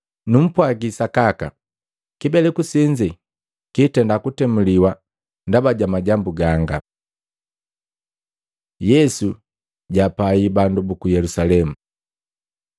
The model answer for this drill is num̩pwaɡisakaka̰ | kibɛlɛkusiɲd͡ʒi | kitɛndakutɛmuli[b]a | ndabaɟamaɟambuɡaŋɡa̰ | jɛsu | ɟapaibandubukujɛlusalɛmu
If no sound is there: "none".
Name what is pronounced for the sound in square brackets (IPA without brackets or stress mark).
w